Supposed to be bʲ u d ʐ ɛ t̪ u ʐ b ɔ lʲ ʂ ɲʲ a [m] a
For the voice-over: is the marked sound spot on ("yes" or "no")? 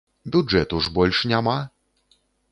yes